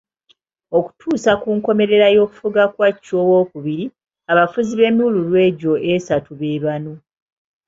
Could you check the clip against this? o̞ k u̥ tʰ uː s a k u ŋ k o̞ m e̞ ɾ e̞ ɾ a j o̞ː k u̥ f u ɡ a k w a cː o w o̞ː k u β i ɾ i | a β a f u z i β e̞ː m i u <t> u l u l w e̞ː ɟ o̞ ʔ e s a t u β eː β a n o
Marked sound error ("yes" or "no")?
yes